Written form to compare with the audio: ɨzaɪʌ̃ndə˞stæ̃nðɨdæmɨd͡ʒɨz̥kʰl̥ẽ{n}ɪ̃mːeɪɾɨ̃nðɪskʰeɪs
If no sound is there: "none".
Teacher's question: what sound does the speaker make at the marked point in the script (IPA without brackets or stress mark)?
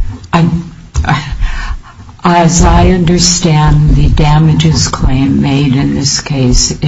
none